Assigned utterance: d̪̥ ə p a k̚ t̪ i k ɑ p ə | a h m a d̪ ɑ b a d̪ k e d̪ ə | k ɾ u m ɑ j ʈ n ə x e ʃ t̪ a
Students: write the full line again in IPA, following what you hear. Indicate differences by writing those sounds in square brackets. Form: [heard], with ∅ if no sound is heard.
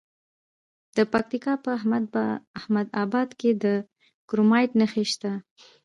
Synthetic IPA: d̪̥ ə p a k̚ t̪ i k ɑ p ə | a h m a d̪ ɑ b [ɑ] d̪ k e d̪ ə | k ɾ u m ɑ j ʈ n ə x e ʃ t̪ a